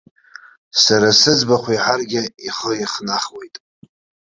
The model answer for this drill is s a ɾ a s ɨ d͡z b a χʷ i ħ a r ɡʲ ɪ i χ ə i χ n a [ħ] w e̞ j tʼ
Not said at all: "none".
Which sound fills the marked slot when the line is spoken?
χ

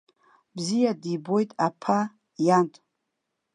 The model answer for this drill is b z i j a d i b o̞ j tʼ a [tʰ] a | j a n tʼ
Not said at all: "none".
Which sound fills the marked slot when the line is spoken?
pʰ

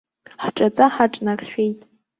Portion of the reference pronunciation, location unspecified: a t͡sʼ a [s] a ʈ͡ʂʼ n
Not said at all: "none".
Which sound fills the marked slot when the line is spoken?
ħ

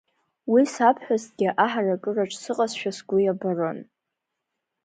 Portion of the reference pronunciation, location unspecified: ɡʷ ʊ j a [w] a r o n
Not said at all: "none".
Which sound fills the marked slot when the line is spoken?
b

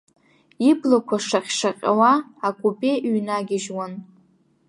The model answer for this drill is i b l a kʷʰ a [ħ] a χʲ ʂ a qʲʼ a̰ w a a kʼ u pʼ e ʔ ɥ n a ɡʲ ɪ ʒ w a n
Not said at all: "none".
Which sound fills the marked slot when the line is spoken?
ʂ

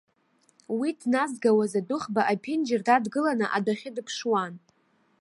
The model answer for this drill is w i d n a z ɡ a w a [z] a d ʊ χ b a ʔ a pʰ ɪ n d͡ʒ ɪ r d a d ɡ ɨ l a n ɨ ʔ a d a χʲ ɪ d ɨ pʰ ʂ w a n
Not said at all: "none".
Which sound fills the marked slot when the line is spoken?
z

